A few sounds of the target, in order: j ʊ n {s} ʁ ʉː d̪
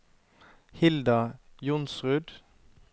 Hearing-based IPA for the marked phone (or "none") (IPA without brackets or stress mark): s